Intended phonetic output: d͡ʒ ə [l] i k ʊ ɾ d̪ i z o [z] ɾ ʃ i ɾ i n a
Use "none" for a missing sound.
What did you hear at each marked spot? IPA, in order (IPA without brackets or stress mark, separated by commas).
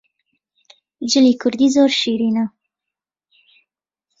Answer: l, none